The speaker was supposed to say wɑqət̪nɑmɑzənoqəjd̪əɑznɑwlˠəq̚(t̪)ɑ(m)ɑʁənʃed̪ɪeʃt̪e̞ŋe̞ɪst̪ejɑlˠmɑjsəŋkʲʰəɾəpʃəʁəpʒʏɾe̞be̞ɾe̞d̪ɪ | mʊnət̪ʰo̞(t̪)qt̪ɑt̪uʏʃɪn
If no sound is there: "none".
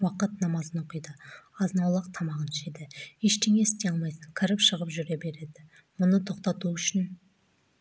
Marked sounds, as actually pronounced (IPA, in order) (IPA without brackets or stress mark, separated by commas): t̪ʰ, m, none